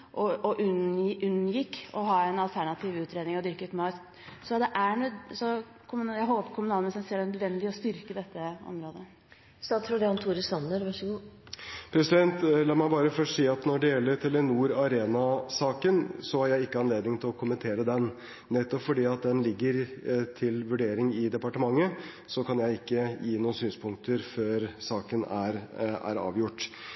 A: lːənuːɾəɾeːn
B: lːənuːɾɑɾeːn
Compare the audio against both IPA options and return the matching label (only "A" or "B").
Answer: B